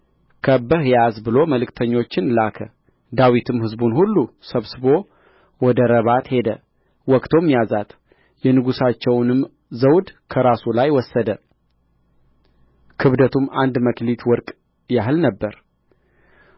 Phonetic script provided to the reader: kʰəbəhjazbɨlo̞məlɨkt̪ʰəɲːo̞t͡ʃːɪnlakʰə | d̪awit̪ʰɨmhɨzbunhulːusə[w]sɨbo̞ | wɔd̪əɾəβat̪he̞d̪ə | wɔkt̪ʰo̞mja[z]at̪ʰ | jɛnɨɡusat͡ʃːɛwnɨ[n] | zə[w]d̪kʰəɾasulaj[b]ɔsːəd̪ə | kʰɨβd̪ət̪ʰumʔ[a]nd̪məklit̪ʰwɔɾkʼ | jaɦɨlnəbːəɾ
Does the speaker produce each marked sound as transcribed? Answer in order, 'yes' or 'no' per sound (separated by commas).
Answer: no, yes, no, yes, no, yes